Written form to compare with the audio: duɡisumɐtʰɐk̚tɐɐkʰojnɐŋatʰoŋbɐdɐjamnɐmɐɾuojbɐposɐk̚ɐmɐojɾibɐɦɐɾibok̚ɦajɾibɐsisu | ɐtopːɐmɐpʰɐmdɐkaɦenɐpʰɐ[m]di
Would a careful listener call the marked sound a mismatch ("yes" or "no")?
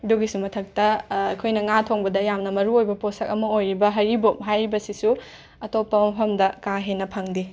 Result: yes